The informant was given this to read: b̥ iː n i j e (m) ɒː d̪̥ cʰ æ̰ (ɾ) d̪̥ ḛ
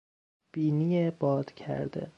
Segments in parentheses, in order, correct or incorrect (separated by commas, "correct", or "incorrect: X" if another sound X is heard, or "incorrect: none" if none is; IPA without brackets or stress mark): incorrect: b, correct